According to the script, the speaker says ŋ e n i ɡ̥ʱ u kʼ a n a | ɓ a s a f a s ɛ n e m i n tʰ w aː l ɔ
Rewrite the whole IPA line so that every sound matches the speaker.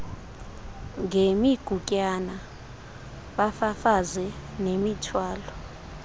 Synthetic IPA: ŋ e m i ɡ̥ʱ u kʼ a n a | ɓ a f a f a z ɛ n e m i tʰ w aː l ɔ